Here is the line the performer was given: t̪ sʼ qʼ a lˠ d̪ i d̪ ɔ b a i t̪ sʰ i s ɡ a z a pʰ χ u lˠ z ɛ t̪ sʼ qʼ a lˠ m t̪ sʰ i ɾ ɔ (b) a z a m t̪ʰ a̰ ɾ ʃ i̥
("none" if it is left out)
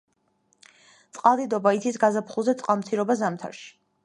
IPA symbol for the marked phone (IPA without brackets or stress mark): b